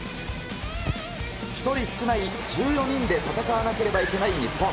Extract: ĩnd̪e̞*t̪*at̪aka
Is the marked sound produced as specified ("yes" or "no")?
yes